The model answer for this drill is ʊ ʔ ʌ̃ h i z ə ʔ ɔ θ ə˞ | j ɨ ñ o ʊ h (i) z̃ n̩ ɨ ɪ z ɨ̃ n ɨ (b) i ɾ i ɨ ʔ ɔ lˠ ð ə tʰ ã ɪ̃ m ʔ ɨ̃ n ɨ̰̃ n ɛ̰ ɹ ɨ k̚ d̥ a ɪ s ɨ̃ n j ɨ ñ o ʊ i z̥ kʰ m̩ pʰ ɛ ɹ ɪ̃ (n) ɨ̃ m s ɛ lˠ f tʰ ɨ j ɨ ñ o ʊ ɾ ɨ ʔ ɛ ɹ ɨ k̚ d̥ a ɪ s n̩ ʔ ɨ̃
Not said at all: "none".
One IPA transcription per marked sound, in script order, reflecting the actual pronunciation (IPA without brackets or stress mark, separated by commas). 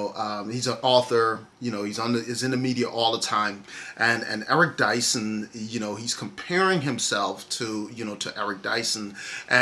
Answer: i, m, ŋ